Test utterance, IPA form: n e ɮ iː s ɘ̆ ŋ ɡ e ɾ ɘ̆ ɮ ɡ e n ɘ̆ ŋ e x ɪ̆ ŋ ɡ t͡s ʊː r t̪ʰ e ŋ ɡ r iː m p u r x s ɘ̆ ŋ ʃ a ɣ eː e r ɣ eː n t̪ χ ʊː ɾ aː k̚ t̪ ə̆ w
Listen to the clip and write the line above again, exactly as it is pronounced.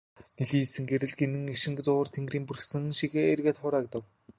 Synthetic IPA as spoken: n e ɮ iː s ɘ̆ ŋ ɡ e ɾ ɘ̆ ɮ ɡ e n ɘ̆ ŋ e ʃ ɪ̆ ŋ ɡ t͡s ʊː r t̪ʰ e ŋ ɡ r iː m p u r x s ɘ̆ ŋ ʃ i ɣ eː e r ɣ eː t̪ χ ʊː ɾ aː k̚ t̪ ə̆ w